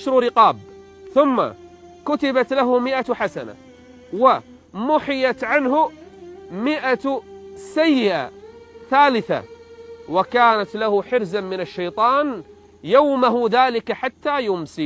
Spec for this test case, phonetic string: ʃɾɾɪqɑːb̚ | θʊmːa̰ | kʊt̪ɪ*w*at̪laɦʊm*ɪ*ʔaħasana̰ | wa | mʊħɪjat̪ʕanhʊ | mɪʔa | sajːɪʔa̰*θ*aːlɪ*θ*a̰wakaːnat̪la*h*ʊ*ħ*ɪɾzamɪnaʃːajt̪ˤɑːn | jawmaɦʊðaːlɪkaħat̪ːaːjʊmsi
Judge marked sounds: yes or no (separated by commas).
no, yes, yes, yes, yes, yes